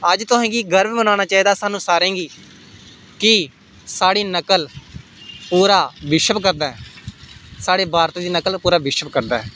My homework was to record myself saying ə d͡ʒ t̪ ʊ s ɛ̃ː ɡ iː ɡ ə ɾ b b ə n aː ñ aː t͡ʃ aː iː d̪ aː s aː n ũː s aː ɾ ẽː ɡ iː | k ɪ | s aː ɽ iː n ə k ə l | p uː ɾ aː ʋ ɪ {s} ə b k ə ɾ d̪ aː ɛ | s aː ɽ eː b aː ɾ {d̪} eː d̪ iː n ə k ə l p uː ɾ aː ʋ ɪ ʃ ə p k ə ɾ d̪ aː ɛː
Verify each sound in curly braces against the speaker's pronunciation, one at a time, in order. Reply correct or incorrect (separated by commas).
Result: incorrect, incorrect